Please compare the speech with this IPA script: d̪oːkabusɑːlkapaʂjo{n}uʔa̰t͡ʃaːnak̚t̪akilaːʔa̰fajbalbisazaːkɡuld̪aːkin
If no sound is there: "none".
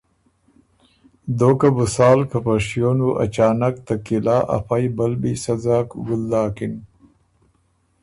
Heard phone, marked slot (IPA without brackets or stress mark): n